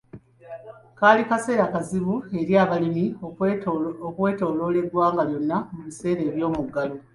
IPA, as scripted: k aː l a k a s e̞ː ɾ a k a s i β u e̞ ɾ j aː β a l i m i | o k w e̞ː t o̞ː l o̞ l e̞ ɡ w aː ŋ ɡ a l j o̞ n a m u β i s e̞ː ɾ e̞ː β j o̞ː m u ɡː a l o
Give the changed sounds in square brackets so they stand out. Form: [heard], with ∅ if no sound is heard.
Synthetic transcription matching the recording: k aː l [i] k a s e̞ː ɾ a k a [z] i β u e̞ ɾ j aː β a l i m i | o k w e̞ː t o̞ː l o̞ l e̞ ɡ w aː ŋ ɡ a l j o̞ [nː] a m u β i s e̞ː ɾ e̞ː β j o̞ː m u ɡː a l o